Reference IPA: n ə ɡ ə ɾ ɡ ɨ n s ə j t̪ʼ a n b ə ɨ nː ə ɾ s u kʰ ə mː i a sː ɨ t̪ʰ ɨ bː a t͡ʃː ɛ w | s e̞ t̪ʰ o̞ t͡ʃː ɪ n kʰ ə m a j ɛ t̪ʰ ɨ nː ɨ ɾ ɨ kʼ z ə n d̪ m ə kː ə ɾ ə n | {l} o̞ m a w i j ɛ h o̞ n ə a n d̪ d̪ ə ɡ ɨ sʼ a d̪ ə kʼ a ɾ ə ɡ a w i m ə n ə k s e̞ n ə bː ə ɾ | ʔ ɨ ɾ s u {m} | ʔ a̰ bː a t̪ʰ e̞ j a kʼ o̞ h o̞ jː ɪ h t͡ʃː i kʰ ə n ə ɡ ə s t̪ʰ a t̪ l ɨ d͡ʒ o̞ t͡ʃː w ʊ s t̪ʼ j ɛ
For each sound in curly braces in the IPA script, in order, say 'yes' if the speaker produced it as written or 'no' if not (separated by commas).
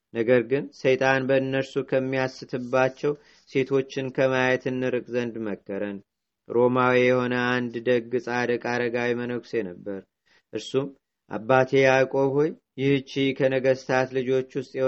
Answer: no, yes